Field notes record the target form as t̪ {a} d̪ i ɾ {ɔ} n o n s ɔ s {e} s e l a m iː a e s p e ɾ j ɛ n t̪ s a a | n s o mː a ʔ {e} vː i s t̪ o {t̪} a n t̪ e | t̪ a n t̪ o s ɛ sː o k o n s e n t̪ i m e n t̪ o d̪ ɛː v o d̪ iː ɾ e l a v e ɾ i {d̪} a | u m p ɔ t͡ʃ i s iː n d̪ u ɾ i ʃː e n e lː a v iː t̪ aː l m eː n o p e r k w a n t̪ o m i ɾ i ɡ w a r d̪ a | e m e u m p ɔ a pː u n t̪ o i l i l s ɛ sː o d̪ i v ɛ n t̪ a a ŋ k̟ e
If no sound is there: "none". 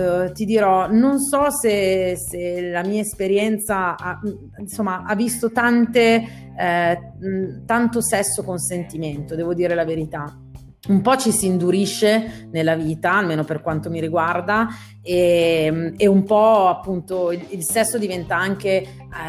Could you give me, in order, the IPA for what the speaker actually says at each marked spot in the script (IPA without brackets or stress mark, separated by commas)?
i, ɔ, e, a, t̪, t̪